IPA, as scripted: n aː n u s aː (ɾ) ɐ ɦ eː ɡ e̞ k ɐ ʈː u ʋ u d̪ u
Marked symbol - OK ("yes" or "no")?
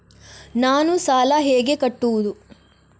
no